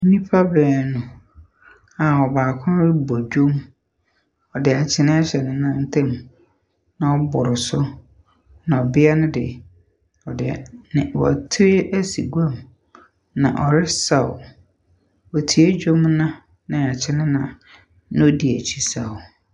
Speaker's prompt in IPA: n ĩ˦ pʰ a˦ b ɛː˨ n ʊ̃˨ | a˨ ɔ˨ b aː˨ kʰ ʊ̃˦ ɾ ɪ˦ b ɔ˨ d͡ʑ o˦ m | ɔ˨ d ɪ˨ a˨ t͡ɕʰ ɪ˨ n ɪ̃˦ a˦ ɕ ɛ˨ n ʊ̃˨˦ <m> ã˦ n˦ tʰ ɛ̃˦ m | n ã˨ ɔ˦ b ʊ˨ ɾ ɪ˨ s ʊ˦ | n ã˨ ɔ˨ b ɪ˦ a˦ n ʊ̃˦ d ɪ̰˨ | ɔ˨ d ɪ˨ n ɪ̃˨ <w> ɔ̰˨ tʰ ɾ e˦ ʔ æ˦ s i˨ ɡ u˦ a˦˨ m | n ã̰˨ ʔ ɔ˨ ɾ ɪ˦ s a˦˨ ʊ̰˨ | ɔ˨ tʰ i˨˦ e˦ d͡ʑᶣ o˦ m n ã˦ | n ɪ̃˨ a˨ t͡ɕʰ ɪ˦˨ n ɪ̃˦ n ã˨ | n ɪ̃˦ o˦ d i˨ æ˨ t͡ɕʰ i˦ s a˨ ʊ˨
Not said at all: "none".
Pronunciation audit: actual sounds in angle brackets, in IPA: n, w

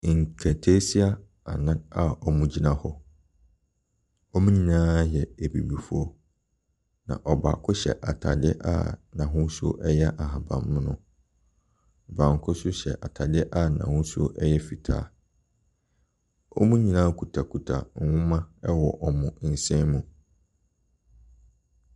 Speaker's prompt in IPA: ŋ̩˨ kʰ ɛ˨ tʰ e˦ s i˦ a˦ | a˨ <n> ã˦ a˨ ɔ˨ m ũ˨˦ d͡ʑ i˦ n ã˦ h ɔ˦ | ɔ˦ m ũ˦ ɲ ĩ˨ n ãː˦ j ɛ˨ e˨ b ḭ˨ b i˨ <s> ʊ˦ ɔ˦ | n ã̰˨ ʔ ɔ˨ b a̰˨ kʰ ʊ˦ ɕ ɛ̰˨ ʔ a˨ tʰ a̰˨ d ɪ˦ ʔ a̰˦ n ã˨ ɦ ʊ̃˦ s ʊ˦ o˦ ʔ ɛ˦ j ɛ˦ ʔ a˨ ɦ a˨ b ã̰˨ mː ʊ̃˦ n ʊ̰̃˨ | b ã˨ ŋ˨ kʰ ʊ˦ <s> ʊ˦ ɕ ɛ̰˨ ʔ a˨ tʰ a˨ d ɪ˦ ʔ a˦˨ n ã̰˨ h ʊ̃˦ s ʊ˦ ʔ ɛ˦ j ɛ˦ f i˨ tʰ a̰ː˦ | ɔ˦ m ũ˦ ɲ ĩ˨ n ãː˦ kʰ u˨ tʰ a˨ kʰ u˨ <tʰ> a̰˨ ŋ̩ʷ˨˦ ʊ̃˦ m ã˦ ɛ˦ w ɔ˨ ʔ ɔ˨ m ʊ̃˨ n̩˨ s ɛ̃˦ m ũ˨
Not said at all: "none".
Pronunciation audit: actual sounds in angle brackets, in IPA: n, f, s, tʰ

